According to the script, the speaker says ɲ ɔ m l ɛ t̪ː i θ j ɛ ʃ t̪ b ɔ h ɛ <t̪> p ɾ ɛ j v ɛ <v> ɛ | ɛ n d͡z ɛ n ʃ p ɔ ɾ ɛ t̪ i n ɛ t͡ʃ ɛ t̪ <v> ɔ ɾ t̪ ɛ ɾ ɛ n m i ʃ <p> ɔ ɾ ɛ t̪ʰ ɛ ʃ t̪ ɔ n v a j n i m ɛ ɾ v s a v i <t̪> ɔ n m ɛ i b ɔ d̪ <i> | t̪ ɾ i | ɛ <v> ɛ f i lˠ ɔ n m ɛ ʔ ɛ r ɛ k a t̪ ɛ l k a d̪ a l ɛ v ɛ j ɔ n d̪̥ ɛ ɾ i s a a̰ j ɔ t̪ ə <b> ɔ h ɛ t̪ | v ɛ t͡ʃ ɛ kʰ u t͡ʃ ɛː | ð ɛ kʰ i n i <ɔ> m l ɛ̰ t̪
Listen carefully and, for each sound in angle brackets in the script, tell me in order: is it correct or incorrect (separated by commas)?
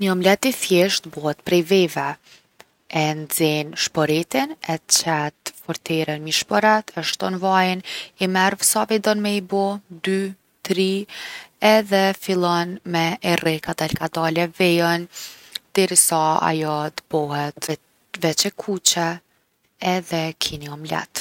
correct, correct, incorrect, correct, incorrect, incorrect, incorrect, correct, correct